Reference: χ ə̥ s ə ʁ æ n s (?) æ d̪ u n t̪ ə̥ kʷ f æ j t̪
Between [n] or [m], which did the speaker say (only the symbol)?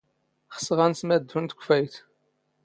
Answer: m